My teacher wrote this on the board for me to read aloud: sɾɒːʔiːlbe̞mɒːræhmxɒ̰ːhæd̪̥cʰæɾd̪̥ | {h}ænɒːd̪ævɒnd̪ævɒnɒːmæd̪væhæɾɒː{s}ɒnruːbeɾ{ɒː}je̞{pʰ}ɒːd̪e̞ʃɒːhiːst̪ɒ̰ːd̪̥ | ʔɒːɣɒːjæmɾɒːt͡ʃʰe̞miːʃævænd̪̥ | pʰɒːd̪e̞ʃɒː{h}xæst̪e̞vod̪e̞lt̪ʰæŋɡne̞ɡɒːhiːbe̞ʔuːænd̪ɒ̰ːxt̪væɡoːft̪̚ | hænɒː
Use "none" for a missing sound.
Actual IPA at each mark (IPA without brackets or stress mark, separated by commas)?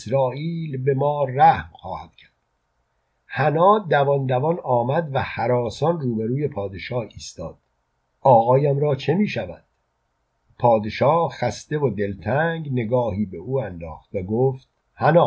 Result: h, s, uː, pʰ, h